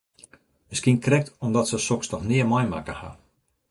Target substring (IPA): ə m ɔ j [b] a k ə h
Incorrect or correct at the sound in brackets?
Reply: incorrect: m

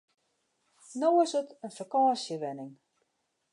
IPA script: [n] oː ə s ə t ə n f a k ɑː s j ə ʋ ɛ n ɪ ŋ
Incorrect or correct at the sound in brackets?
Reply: correct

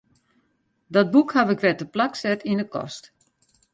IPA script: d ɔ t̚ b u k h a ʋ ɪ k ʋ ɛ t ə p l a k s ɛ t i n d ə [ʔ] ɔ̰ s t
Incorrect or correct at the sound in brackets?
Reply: incorrect: k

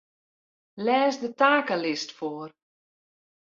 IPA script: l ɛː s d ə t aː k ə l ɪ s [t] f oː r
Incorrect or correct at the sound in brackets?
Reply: correct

